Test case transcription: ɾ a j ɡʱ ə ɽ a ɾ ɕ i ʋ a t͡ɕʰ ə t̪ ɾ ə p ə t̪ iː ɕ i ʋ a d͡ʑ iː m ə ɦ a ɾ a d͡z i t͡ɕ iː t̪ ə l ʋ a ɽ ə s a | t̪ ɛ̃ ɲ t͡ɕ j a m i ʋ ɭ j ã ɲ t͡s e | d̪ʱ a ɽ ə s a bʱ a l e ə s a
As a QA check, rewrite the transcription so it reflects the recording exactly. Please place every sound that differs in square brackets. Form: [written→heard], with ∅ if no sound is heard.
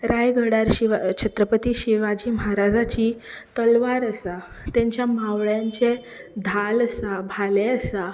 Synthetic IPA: ɾ a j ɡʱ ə ɽ a ɾ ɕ i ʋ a t͡ɕʰ ə t̪ ɾ ə p ə t̪ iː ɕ i ʋ a d͡ʑ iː m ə ɦ a ɾ a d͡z [i→a] t͡ɕ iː t̪ ə l ʋ a [ɽ→ɾ] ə s a | t̪ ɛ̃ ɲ t͡ɕ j a m [i→a] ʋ ɭ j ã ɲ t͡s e | d̪ʱ a [ɽ→l] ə s a bʱ a l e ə s a